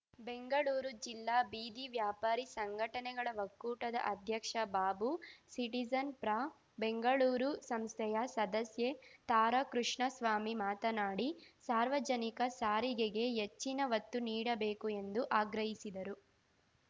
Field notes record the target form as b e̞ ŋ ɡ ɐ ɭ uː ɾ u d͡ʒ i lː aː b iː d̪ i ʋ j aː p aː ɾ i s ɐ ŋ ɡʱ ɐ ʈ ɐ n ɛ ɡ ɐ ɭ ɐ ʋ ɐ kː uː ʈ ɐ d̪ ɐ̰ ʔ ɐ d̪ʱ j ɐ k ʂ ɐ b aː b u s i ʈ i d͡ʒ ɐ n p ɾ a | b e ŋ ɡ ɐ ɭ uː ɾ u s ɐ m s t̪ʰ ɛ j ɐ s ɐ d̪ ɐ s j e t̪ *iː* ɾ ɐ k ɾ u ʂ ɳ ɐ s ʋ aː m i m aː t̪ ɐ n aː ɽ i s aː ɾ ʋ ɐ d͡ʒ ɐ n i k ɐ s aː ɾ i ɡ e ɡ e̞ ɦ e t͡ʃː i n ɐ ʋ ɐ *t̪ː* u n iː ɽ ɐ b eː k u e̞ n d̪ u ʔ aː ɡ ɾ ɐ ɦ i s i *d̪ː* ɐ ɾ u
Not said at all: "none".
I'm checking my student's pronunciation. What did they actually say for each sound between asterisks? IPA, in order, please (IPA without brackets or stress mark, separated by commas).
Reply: aː, t̪ː, d̪